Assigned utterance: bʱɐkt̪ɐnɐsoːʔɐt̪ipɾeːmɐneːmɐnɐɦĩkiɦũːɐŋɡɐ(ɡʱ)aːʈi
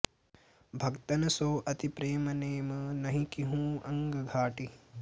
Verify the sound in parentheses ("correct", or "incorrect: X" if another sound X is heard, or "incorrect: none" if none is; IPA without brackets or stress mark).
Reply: correct